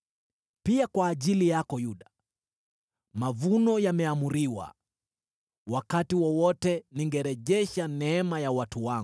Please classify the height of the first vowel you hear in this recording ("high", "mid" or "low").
high